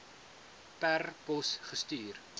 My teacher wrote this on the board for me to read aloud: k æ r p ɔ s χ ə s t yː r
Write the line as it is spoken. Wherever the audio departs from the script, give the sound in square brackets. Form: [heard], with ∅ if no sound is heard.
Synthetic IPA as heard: [p] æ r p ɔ s χ ə s t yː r